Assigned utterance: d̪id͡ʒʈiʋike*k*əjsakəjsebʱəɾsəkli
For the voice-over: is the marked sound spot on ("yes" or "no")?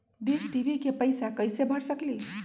no